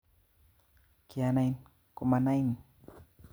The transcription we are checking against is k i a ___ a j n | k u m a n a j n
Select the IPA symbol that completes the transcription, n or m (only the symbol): n